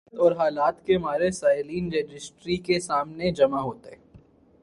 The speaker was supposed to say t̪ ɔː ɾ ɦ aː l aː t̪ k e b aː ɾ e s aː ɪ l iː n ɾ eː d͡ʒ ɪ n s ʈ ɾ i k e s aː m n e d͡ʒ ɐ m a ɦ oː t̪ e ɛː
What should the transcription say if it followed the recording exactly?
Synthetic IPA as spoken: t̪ ɔː ɾ ɦ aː l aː t̪ k e m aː ɾ e s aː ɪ l iː n ɾ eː d͡ʒ ɪ s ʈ ɾ i k e s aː m n e d͡ʒ ɐ m a ɦ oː t̪ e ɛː